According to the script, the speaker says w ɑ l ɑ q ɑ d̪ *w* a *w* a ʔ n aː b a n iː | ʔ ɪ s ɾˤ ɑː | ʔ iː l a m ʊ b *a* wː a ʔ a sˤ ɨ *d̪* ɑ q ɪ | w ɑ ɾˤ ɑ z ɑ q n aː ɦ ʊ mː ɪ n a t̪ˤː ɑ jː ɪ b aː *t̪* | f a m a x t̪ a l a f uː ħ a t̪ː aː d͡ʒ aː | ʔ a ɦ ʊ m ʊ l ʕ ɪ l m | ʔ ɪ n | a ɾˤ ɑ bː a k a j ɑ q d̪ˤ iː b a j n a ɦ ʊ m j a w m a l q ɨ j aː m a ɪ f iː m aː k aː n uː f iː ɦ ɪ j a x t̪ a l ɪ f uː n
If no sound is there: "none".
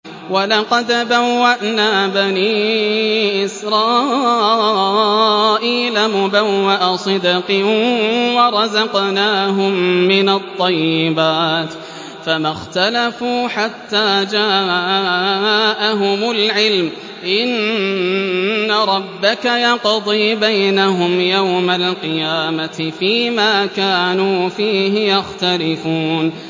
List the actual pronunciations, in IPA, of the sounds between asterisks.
b, wː, a, d̪, t̪

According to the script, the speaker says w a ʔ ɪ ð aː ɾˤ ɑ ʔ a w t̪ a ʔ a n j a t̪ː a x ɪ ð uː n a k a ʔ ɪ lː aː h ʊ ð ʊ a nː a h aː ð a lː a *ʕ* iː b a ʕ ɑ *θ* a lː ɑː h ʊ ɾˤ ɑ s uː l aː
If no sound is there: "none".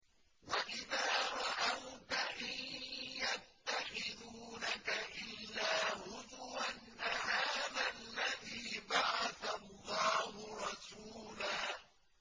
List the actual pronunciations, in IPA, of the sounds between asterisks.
ð, θ

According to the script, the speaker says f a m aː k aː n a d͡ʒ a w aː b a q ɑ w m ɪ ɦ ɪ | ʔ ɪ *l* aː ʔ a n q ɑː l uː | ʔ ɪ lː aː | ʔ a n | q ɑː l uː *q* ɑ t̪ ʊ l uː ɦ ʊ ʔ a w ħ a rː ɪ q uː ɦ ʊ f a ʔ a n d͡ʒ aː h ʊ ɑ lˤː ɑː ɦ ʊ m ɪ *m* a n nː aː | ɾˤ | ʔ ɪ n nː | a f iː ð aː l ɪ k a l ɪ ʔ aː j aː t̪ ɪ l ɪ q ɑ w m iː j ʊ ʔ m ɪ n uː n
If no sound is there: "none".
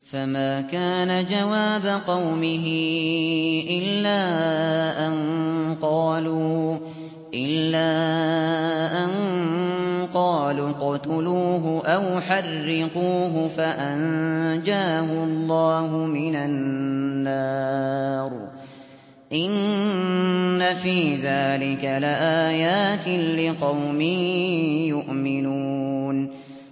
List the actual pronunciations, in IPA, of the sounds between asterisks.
lː, q, n

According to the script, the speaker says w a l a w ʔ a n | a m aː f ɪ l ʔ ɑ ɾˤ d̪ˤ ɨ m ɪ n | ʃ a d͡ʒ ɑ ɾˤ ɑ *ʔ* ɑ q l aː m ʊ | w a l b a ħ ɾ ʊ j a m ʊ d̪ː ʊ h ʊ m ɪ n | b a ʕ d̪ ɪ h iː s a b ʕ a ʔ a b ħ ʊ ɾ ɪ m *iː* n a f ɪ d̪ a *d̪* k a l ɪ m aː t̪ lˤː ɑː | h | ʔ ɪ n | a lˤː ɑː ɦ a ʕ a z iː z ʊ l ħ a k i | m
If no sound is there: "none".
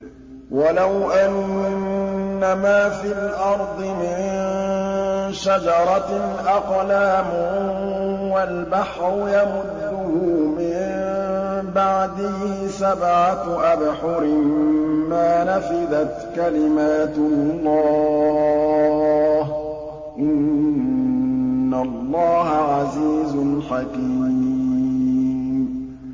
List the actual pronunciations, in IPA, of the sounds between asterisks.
ʔ, aː, t̪

